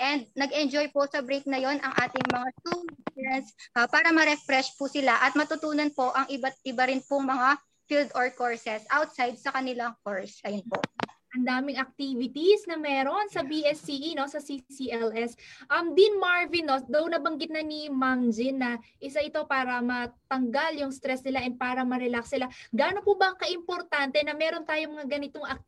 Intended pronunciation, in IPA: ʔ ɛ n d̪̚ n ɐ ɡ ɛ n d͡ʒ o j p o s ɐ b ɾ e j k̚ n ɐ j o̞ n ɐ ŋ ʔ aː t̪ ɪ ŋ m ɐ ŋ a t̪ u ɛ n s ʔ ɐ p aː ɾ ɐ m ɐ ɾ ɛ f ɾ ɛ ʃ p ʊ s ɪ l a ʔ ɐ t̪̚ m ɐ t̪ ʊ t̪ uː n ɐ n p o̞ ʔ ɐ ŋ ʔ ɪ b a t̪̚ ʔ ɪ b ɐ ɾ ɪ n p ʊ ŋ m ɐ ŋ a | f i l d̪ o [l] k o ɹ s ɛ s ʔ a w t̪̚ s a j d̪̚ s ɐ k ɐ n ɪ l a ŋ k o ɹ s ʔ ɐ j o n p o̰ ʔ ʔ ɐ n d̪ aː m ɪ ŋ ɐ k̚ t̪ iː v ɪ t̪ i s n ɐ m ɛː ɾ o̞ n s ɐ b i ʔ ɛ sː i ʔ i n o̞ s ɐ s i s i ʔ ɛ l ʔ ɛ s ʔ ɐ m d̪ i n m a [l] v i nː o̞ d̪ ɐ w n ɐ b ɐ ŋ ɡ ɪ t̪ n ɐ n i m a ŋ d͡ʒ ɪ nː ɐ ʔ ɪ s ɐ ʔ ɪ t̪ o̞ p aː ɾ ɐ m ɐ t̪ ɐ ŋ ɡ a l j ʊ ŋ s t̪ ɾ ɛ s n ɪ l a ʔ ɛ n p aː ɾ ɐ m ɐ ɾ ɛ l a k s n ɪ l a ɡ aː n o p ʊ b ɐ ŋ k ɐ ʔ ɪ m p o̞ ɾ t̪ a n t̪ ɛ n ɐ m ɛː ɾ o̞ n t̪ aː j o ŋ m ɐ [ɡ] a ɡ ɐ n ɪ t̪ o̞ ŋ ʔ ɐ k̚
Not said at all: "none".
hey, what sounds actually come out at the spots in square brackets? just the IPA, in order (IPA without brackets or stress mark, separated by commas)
ɹ, ɹ, ŋ